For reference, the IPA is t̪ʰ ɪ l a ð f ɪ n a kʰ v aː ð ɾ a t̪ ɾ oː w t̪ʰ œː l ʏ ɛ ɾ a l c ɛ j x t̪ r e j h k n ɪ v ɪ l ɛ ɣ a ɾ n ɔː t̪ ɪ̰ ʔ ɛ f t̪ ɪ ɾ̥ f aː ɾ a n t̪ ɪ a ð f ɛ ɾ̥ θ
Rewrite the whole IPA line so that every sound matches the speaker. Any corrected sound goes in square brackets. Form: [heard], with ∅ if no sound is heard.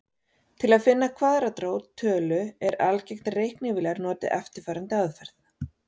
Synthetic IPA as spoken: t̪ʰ ɪ l a ð f ɪ [nː] a kʰ v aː ð ɾ a t̪ ɾ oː w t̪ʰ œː l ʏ ɛ ɾ a l c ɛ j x t̪ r e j h k n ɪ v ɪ l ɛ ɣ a ɾ n ɔː t̪ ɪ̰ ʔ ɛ f t̪ ɪ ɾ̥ f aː ɾ a n t̪ ɪ a ð f ɛ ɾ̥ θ